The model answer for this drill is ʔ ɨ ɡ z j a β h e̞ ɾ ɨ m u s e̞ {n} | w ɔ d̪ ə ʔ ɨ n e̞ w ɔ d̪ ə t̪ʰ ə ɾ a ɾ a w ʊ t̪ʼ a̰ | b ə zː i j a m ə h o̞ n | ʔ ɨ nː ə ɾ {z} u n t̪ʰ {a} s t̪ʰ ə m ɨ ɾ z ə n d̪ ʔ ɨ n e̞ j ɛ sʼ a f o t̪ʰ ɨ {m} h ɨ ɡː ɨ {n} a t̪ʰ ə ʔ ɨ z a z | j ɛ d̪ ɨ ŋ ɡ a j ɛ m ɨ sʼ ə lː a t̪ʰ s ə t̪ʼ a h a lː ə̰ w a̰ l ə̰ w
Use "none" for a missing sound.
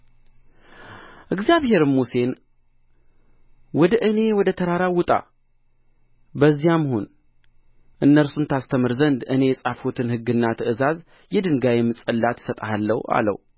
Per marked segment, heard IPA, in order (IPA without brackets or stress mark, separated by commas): n, s, a, n, nː